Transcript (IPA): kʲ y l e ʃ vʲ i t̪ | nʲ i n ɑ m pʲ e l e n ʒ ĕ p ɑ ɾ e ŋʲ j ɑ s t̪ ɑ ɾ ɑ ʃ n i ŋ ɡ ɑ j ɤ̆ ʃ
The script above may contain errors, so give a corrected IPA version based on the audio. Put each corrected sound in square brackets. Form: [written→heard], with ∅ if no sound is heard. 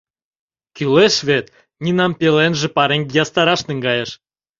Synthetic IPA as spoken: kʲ y l e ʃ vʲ [i→e] t̪ | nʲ i n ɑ m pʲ e l e n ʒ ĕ p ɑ ɾ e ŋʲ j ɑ s t̪ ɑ ɾ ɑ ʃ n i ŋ ɡ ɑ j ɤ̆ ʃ